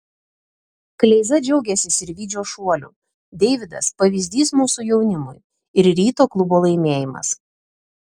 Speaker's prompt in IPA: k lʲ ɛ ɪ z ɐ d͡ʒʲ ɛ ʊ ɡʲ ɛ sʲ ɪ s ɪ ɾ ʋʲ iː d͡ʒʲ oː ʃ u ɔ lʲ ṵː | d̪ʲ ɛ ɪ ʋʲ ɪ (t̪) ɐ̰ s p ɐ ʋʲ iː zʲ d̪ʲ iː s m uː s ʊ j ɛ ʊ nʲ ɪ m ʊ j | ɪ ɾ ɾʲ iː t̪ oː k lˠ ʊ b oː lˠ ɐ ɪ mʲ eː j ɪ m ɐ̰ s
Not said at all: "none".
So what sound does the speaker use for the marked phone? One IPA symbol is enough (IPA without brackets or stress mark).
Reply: d̪